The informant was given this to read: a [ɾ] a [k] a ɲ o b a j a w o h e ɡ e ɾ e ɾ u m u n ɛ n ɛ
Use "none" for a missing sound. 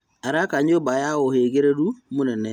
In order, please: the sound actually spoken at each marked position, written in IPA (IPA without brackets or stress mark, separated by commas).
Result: ɾ, k